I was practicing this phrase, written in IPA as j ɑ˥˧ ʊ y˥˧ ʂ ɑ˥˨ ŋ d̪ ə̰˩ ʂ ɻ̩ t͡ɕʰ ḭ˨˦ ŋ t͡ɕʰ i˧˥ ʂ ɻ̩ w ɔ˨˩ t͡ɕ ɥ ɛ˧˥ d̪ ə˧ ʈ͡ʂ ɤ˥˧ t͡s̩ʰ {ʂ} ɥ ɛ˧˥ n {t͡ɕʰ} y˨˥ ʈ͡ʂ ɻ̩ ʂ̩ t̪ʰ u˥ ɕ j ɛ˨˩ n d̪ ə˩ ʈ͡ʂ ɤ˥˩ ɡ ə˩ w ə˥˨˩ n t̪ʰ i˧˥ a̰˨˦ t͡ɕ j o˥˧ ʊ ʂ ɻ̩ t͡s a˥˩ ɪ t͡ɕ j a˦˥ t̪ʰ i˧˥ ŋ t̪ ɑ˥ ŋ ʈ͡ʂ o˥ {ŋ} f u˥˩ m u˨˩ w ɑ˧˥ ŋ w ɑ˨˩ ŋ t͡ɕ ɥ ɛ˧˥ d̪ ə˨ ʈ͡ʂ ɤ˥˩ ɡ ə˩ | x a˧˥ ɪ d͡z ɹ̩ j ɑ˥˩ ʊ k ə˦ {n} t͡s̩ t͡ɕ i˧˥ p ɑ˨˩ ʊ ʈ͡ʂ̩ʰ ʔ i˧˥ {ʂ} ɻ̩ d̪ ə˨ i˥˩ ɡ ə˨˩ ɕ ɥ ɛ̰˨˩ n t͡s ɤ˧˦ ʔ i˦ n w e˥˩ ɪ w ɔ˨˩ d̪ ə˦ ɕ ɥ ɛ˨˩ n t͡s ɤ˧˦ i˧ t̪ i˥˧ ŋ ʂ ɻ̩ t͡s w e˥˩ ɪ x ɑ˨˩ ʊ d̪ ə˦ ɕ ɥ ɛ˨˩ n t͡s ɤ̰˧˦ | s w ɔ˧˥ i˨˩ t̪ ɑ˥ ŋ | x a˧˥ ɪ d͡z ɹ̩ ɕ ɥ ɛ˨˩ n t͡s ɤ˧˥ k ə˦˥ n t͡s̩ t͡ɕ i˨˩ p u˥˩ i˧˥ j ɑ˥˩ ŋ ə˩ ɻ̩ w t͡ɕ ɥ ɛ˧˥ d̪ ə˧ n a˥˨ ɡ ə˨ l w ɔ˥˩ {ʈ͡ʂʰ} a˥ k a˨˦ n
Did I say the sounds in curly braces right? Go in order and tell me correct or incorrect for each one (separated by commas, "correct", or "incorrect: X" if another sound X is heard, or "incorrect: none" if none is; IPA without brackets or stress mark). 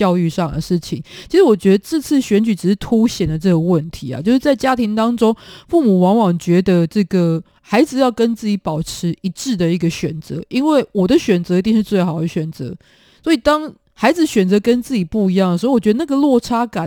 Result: incorrect: ɕ, incorrect: t͡ɕ, correct, correct, incorrect: ʈ͡ʂ, correct